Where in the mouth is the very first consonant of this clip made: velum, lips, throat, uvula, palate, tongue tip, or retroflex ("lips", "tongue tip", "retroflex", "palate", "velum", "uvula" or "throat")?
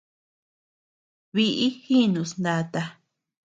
lips